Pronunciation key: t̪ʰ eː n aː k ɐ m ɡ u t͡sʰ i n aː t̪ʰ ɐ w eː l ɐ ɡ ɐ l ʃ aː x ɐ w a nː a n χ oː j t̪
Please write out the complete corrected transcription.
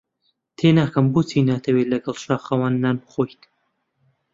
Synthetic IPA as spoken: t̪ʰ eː n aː k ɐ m b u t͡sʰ i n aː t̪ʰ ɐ w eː l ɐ ɡ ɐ l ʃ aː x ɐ w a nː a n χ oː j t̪